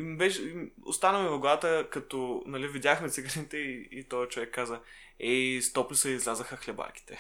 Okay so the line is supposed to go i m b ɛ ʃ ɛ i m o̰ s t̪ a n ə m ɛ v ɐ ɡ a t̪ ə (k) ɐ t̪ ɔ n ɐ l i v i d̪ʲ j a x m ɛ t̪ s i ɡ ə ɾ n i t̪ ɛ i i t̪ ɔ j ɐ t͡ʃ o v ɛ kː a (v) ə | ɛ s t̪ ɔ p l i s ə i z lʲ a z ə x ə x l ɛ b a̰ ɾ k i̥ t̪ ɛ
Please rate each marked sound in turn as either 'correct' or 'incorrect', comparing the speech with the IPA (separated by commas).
correct, incorrect